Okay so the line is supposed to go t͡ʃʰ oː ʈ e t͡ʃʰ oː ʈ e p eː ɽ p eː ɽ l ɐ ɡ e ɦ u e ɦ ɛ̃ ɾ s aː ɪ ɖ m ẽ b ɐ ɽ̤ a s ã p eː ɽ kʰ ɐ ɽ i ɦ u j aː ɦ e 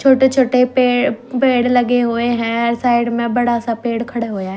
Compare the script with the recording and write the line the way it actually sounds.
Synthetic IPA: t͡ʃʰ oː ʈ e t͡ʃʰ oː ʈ e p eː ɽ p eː ɽ l ɐ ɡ e ɦ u e ɦ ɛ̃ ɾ s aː ɪ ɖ m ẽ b ɐ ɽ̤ a s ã p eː ɽ kʰ ɐ ɽ e ɦ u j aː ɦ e